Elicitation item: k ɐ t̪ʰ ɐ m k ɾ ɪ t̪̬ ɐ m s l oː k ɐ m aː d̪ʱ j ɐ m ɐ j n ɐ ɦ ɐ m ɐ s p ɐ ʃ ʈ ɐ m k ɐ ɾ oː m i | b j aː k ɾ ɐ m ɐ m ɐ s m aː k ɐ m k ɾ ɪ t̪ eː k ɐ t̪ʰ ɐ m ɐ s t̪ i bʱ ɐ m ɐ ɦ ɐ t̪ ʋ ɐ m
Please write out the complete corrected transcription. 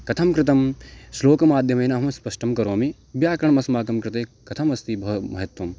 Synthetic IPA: k ɐ t̪ʰ ɐ m k ɾ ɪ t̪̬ ɐ m s l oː k ɐ m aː d̪ʱ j ɐ m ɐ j n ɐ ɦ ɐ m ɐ s p ɐ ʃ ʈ ɐ m k ɐ ɾ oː m i | b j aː k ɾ ɐ ɳ ɐ m ɐ s m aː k ɐ m k ɾ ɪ t̪ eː k ɐ t̪ʰ ɐ m ɐ s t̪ i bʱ ɐ m ɐ ɦ ɐ t̪ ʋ ɐ m